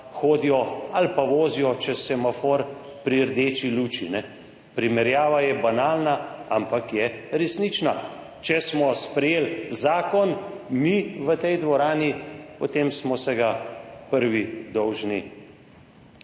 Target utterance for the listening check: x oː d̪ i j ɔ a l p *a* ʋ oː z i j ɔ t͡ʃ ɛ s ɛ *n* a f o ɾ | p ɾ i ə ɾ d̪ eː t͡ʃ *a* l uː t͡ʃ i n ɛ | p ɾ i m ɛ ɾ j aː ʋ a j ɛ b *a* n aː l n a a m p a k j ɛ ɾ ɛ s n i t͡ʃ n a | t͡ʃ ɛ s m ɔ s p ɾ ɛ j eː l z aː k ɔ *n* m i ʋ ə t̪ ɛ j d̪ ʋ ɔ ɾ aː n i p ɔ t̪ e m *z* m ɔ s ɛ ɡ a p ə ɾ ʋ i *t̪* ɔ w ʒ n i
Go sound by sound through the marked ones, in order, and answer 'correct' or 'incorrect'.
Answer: correct, incorrect: m, incorrect: i, correct, correct, incorrect: s, incorrect: d̪

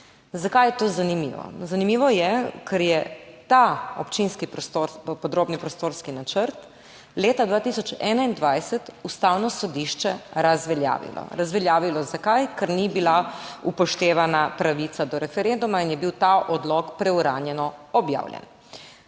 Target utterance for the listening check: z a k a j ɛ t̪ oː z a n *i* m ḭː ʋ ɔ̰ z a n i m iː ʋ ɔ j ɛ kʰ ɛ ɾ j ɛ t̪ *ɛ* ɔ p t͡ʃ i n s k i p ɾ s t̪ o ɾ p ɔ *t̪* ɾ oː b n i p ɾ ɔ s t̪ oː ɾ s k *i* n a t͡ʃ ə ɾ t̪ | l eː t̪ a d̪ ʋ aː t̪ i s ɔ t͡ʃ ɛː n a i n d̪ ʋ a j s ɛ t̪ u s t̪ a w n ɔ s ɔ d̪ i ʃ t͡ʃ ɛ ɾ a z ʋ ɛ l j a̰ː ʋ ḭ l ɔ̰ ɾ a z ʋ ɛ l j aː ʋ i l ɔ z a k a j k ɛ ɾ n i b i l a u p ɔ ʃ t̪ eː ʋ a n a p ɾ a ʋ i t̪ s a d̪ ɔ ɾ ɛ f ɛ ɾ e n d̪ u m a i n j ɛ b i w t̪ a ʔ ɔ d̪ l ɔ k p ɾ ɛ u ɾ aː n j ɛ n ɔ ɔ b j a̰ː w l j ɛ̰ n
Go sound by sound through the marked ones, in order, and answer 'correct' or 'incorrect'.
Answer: correct, incorrect: a, incorrect: d̪, correct

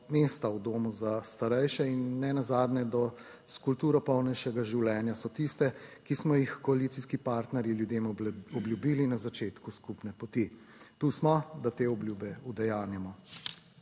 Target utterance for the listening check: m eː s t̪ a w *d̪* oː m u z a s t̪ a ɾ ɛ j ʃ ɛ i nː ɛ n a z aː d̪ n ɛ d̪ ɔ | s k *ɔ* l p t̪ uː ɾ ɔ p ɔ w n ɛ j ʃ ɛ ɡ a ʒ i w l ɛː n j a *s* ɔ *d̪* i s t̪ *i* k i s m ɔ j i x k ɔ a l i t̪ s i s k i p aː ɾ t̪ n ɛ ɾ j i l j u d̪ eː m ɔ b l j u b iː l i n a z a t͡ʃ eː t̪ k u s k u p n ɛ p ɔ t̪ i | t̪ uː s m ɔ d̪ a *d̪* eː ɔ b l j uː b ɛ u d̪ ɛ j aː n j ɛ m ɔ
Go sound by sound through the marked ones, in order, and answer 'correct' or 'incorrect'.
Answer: correct, incorrect: u, correct, incorrect: t̪, incorrect: ɛ, incorrect: t̪

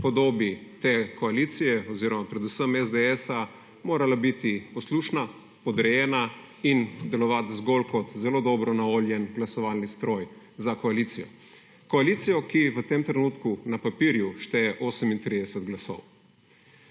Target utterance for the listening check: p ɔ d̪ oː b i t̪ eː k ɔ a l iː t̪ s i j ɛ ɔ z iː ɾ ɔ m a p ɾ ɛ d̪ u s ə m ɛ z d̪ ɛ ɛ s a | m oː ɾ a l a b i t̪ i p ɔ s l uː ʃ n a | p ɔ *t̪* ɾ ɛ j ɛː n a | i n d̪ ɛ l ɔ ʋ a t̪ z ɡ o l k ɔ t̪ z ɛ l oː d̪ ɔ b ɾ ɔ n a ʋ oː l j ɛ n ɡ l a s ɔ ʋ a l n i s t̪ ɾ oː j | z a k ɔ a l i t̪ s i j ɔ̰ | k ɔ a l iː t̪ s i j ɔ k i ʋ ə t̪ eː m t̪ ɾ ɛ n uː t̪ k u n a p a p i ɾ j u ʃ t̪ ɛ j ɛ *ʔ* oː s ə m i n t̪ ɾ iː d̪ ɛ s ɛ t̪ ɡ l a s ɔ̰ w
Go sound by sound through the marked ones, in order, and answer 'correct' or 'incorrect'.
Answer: incorrect: d̪, correct

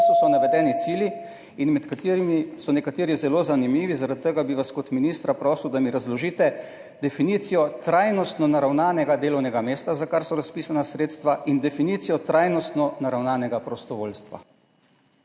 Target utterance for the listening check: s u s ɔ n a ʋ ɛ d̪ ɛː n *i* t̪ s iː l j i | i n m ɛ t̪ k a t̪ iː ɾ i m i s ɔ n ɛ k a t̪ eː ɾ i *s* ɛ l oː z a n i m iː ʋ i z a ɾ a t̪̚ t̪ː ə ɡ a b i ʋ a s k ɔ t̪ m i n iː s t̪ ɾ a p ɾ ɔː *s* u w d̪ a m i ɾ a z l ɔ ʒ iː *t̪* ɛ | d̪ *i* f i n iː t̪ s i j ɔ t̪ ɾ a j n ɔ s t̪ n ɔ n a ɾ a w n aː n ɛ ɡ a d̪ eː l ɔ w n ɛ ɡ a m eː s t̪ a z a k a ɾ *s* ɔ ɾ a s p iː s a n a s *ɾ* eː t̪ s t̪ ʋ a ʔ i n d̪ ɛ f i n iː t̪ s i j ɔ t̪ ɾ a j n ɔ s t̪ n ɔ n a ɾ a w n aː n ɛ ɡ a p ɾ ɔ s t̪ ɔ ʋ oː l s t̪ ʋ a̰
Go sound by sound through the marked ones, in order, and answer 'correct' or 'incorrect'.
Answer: correct, incorrect: z, correct, correct, incorrect: ɛ, correct, correct

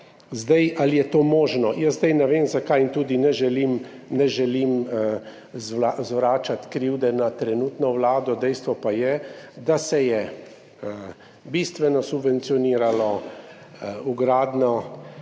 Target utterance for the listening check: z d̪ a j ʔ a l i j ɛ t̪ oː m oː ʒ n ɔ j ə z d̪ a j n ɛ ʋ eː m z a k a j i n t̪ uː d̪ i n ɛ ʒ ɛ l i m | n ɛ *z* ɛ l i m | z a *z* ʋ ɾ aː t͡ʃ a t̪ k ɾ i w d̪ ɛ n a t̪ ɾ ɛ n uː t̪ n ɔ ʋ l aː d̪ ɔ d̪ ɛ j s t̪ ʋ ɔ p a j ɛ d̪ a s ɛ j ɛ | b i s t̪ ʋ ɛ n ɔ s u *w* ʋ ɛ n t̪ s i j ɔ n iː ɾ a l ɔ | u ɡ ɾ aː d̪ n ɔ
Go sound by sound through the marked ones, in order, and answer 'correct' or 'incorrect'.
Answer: incorrect: ʒ, correct, incorrect: b

